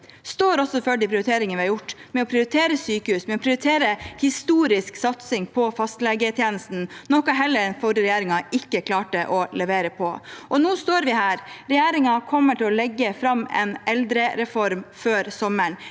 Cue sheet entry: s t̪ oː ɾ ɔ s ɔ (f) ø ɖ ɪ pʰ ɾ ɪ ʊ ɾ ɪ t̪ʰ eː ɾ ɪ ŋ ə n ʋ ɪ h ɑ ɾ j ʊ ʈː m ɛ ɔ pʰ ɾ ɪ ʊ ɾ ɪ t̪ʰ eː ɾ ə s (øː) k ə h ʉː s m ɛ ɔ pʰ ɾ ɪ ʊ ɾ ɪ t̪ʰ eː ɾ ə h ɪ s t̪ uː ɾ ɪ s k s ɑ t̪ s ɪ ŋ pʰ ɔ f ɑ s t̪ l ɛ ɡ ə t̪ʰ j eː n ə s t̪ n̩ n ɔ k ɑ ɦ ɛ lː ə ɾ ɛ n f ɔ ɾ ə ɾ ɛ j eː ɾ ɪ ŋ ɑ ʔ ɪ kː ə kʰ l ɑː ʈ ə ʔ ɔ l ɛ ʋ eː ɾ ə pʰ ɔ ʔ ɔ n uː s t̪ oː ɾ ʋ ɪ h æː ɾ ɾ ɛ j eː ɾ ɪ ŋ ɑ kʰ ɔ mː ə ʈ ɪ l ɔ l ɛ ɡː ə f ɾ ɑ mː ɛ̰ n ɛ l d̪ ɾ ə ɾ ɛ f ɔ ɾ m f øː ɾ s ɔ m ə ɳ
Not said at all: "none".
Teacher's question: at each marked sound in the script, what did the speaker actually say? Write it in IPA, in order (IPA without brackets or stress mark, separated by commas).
f, yː